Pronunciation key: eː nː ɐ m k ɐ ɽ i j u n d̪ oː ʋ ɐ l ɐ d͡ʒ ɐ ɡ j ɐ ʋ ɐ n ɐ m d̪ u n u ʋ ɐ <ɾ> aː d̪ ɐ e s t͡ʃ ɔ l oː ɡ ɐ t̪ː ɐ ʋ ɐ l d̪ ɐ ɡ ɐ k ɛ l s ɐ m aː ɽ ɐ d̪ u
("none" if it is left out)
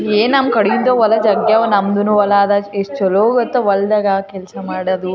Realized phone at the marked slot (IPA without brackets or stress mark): l